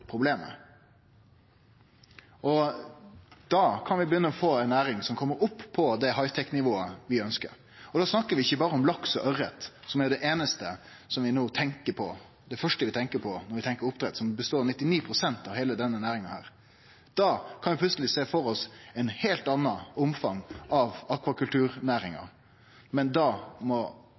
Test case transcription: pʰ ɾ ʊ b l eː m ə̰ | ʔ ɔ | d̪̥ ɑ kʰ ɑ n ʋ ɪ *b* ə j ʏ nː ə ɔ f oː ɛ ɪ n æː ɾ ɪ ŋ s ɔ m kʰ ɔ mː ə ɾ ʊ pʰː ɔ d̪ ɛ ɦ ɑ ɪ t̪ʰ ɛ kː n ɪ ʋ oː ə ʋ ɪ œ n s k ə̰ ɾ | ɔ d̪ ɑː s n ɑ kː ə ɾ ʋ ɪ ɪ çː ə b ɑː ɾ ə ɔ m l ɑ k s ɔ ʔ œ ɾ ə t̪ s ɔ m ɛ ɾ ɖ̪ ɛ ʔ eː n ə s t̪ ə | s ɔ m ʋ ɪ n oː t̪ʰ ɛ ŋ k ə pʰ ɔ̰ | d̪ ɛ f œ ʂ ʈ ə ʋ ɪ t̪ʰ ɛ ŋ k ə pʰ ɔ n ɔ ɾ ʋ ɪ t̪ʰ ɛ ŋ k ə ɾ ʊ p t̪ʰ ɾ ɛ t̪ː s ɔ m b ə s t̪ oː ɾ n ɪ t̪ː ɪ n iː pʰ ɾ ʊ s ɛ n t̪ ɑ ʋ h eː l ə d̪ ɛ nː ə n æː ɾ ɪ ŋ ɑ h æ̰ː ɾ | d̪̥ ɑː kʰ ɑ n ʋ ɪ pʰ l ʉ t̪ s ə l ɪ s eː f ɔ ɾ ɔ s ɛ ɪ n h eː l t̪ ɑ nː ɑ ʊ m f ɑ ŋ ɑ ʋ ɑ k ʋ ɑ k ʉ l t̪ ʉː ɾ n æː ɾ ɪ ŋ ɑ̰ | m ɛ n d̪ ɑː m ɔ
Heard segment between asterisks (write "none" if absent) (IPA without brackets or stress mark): b